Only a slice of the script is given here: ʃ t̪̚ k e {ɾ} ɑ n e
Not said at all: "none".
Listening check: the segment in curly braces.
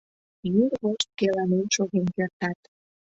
l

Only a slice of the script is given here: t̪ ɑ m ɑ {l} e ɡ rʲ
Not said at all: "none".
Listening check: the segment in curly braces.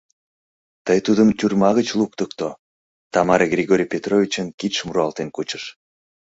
ɾ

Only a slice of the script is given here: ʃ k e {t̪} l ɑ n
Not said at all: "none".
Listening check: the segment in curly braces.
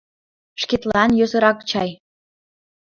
t̪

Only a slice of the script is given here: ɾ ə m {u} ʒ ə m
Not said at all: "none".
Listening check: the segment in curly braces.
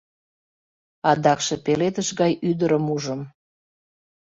u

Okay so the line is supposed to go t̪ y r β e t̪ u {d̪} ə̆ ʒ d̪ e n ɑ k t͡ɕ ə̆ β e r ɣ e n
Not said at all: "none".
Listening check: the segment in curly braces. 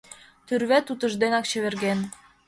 t̪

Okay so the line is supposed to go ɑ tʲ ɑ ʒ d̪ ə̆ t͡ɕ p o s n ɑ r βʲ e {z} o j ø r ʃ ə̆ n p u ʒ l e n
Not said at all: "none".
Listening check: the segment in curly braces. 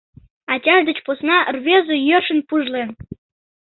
z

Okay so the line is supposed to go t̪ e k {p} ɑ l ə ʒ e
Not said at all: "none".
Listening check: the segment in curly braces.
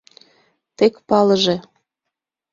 p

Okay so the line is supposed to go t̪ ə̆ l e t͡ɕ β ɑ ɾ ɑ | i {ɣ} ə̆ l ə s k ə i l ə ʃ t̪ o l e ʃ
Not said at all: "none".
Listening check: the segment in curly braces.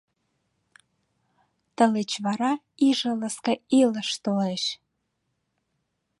ʒ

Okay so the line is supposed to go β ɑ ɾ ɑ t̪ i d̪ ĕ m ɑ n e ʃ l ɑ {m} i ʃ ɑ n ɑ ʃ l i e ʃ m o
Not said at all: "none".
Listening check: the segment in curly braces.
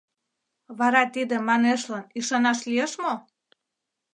n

